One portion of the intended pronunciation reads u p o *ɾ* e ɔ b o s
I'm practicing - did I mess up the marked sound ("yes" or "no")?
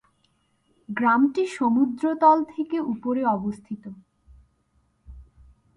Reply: no